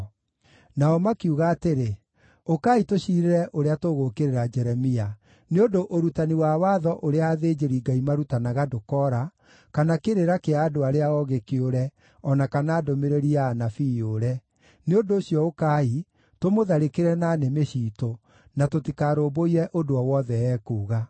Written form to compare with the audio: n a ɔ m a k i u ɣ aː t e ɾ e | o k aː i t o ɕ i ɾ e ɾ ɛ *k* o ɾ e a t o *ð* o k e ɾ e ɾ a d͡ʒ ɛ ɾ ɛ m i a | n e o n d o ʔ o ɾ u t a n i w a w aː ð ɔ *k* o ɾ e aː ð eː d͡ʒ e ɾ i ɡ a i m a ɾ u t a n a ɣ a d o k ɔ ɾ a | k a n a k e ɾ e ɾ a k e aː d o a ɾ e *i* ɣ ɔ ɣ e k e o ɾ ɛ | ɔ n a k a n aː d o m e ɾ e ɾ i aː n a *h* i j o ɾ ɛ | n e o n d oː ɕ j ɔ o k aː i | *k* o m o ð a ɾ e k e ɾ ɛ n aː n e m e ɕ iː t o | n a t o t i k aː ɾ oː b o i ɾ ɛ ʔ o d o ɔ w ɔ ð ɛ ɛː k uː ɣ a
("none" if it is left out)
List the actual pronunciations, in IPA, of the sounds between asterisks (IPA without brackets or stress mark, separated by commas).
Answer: ʔ, ɣ, ʔ, a, f, t